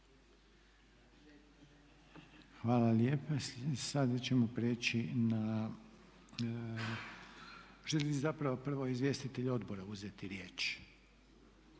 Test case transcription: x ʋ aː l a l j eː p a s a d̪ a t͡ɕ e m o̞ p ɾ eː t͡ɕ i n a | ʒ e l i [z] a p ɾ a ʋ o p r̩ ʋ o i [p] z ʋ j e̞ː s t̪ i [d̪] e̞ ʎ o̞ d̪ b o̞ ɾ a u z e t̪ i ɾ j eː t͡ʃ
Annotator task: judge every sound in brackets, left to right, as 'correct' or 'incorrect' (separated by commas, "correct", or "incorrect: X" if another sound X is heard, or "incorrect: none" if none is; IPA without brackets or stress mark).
correct, incorrect: none, incorrect: t̪